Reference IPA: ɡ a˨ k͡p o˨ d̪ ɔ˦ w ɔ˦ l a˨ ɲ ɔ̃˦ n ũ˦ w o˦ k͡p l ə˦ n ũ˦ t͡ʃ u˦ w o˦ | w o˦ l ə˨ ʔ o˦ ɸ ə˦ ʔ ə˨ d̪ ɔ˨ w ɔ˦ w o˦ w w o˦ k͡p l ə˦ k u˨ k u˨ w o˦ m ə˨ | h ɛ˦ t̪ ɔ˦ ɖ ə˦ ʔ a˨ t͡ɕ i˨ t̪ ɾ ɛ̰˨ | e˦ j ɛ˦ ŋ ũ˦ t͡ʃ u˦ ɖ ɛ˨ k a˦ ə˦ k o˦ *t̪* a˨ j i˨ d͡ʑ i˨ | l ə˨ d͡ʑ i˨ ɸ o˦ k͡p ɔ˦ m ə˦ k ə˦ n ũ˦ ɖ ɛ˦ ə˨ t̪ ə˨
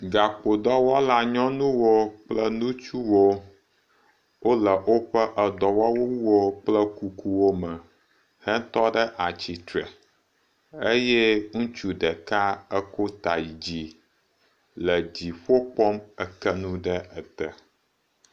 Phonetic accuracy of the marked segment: correct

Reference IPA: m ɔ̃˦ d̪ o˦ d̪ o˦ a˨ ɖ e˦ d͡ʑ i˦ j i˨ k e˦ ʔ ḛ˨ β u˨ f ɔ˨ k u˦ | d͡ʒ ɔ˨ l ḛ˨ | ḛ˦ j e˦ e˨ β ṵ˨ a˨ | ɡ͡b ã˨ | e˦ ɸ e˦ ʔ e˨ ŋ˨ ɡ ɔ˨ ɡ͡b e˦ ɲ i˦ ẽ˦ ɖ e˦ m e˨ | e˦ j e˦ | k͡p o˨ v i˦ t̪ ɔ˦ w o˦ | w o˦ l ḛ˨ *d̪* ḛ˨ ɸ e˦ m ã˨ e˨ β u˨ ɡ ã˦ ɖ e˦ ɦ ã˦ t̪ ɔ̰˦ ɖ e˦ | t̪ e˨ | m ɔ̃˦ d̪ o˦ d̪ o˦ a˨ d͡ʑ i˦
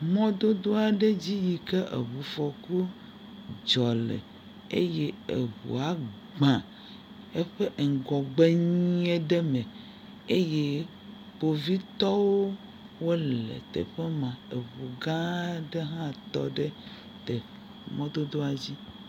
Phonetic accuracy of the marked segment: incorrect: t̪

